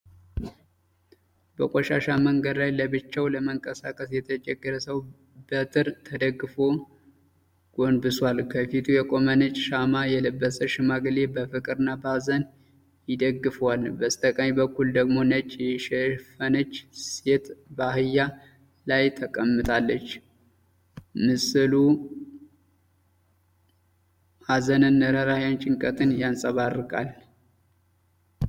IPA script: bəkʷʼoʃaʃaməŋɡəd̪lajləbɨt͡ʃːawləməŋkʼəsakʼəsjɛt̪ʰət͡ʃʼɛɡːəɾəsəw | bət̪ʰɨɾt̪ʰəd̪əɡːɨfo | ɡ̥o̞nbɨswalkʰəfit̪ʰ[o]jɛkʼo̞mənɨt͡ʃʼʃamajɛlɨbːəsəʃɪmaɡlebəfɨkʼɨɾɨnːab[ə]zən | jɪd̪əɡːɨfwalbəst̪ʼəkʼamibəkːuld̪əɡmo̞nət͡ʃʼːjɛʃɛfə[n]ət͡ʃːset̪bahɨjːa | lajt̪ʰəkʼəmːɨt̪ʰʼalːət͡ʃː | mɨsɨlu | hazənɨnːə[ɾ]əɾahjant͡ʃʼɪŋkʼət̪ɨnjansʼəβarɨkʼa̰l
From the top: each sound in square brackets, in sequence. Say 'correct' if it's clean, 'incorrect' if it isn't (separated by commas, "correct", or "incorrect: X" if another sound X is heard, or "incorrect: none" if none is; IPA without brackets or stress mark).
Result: incorrect: u, incorrect: a, correct, correct